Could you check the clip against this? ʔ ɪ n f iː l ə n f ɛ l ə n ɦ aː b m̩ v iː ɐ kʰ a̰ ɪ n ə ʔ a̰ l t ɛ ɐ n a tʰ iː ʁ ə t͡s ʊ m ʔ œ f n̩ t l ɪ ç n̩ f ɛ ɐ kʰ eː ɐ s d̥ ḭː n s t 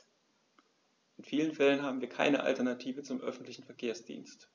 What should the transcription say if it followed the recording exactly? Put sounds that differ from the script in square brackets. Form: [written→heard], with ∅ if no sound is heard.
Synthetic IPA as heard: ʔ ɪ n f iː l ə n f ɛ l ə n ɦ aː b m̩ v iː ɐ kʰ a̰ ɪ n ə ʔ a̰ l t ɛ ɐ n a tʰ iː [ʁ→v] ə t͡s ʊ m ʔ œ f n̩ t l ɪ ç n̩ f ɛ ɐ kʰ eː ɐ s d̥ ḭː n s t